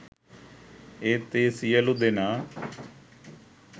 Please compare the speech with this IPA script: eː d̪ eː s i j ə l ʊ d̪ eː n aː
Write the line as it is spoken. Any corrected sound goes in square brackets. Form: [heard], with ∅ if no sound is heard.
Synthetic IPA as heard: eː [t̪] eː s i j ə l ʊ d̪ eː n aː